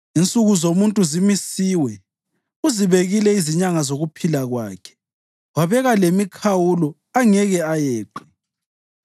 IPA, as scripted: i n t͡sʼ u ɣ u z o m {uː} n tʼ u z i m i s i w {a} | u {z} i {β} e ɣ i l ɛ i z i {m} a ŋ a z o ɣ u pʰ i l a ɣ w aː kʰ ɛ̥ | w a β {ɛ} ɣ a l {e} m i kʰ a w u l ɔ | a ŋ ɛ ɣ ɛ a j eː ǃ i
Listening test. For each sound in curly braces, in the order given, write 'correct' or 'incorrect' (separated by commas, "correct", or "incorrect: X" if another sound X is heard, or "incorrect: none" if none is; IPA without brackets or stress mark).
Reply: incorrect: u, incorrect: ɛ, correct, correct, incorrect: ɲ, correct, correct